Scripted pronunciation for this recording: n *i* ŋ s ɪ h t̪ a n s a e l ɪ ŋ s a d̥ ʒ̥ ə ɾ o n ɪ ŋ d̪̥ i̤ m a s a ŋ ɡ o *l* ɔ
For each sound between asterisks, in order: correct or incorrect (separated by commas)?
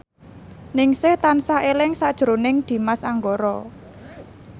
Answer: incorrect, incorrect